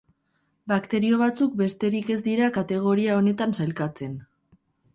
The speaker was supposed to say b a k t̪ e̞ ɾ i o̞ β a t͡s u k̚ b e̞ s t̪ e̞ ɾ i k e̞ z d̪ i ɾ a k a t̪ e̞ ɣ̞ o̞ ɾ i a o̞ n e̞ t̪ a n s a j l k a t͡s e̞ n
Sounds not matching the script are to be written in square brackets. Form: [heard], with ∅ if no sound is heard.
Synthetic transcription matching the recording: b a k t̪ e̞ ɾ i o̞ β a t͡s u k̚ b e̞ s t̪ e̞ ɾ i k e̞ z d̪ i ɾ a k a t̪ e̞ ɣ̞ o̞ ɾ i a o̞ n e̞ t̪ a n s a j l k a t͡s e̞ n